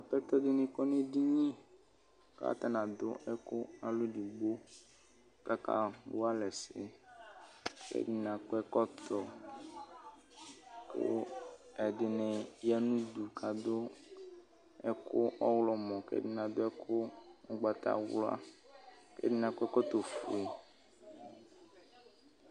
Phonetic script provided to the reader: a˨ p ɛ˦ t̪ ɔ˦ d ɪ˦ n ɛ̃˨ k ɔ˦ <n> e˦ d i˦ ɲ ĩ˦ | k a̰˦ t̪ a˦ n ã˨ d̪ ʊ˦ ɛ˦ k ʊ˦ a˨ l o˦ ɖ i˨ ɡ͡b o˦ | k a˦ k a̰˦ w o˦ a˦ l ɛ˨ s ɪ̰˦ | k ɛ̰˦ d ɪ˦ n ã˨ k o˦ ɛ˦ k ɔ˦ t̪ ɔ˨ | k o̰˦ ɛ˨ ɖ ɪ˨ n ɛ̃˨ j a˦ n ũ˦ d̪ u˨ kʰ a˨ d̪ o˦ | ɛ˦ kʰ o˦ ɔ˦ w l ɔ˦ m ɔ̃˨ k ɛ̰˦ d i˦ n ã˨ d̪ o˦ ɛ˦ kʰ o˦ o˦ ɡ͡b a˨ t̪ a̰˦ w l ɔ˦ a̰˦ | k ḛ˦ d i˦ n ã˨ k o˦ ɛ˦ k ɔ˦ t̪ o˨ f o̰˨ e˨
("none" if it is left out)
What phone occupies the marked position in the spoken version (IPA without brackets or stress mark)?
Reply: n